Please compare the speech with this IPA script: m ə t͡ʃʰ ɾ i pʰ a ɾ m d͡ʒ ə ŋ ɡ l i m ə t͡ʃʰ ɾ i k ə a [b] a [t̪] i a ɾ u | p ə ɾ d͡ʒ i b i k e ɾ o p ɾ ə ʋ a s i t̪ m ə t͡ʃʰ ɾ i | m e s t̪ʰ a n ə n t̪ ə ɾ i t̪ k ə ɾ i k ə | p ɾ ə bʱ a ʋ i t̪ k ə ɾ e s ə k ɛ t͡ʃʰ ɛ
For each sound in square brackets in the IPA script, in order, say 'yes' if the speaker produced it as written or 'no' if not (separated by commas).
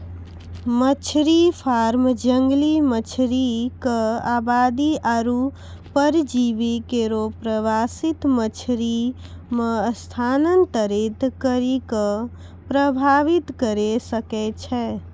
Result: yes, no